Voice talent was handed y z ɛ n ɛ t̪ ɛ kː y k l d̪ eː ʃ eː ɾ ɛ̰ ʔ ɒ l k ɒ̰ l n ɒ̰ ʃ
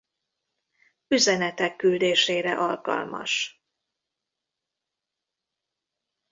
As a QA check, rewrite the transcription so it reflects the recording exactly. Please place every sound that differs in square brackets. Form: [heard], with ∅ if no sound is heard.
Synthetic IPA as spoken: y z ɛ n ɛ t̪ ɛ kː y [∅] l d̪ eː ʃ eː ɾ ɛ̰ ʔ ɒ l k ɒ̰ l [m] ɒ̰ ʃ